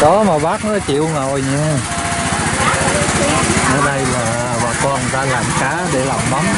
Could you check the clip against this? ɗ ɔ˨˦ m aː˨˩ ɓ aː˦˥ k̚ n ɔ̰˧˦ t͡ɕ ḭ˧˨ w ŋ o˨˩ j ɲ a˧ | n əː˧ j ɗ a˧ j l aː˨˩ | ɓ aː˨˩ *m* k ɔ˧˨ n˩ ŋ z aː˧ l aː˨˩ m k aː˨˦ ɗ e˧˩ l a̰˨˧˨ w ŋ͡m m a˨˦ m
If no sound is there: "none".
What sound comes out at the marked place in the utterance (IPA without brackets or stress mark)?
none